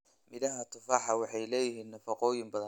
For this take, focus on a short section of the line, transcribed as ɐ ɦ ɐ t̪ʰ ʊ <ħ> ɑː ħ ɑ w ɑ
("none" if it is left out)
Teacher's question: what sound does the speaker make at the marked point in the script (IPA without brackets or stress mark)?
f